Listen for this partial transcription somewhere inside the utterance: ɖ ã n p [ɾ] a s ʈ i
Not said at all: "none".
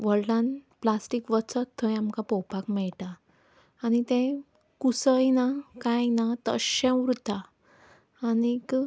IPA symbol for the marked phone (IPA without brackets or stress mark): l